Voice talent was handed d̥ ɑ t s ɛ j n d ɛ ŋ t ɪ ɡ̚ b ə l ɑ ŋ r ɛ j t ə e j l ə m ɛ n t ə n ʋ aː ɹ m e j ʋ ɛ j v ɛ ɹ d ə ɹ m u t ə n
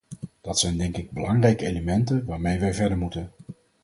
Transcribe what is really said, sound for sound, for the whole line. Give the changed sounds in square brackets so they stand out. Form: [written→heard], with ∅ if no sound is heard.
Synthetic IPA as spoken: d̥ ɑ t s ɛ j n d ɛ ŋ [t→k] ɪ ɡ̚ b ə l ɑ ŋ r ɛ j [t→k] ə e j l ə m ɛ n t ə n ʋ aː ɹ m e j ʋ ɛ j v ɛ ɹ d ə ɹ m u t ə n